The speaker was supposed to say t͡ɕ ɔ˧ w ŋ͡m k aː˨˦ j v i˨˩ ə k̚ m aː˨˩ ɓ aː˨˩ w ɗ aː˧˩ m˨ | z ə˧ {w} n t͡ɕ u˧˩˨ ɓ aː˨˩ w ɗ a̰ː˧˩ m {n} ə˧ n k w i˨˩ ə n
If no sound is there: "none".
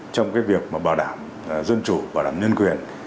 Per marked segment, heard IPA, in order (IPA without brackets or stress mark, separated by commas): none, ɲ